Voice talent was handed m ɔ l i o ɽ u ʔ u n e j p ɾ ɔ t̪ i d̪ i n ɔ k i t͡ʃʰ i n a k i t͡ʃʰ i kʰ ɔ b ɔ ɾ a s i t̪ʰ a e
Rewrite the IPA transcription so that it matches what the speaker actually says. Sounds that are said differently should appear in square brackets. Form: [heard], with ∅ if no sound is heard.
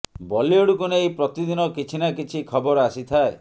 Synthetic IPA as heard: [b] ɔ l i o ɽ u [k] u n e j p ɾ ɔ t̪ i d̪ i n ɔ k i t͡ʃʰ i n a k i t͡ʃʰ i kʰ ɔ b ɔ ɾ a s i t̪ʰ a e